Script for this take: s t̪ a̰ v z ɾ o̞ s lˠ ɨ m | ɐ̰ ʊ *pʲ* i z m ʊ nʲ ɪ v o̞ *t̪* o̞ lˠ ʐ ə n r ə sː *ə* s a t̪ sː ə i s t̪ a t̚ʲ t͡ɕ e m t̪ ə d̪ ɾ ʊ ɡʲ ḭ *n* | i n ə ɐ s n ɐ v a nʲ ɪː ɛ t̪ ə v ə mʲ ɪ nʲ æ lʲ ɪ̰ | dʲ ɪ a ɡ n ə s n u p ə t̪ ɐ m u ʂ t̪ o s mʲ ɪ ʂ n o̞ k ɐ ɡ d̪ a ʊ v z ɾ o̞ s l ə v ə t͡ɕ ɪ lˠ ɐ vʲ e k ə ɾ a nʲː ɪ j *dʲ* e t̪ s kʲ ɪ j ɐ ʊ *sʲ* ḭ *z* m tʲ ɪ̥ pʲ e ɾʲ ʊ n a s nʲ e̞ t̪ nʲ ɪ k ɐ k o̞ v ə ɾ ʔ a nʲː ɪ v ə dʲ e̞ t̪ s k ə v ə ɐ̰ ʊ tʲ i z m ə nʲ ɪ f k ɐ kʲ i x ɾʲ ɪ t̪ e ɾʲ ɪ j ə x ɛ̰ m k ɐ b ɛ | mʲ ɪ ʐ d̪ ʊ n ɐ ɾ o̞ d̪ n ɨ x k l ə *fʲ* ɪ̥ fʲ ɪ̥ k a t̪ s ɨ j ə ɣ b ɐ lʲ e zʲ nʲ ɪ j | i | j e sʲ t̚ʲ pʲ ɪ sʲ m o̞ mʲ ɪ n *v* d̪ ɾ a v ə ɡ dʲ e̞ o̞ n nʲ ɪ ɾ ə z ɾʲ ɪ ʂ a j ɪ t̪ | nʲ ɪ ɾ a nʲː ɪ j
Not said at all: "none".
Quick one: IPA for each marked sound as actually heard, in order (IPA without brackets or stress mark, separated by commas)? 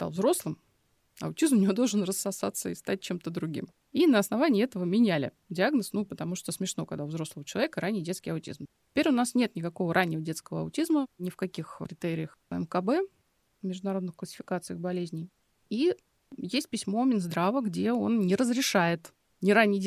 tʲ, d̪, ɐ, m, dʲ, tʲ, z, sʲ, z